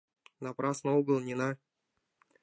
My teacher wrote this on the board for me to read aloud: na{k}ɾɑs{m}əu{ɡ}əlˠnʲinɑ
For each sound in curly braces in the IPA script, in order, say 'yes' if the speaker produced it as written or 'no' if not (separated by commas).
no, no, yes